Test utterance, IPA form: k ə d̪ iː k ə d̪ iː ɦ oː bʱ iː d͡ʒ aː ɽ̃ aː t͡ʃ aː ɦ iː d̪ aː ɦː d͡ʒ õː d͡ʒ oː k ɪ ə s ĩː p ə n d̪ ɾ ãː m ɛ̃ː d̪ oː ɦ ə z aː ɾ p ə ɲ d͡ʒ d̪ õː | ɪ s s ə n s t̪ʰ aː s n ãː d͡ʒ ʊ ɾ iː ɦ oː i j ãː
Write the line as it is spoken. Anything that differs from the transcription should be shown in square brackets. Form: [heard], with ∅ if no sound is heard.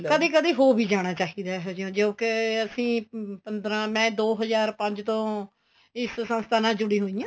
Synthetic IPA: k ə d̪ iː k ə d̪ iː ɦ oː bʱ iː d͡ʒ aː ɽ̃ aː t͡ʃ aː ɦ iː d̪ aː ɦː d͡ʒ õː d͡ʒ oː k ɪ ə s ĩː p ə n d̪ ɾ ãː m ɛ̃ː d̪ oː ɦ ə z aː ɾ p ə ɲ d͡ʒ [t̪] õː | ɪ s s ə n s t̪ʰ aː [∅] n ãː d͡ʒ ʊ [ɽ] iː ɦ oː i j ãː